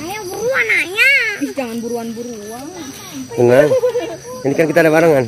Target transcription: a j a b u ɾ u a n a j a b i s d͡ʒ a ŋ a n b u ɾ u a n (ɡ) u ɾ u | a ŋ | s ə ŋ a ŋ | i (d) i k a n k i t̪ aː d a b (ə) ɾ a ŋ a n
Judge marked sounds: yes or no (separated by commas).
no, no, no